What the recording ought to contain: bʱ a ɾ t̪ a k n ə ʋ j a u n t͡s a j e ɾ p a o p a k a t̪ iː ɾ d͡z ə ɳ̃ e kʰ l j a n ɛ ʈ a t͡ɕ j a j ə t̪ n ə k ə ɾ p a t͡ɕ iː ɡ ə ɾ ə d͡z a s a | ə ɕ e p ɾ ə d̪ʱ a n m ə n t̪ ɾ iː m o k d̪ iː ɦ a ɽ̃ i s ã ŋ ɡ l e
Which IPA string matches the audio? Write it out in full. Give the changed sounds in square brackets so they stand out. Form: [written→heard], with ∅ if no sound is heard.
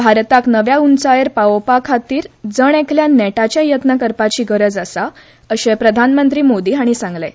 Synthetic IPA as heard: bʱ a ɾ t̪ a k n ə ʋ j a u n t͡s a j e ɾ p a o p a [k→kʰ] a t̪ iː ɾ d͡z ə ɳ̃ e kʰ l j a n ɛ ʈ a t͡ɕ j a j ə t̪ n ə k ə ɾ p a t͡ɕ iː ɡ ə ɾ ə d͡z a s a | ə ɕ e p ɾ ə d̪ʱ a n m ə n t̪ ɾ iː m o [k→∅] d̪ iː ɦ a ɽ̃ i s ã ŋ ɡ l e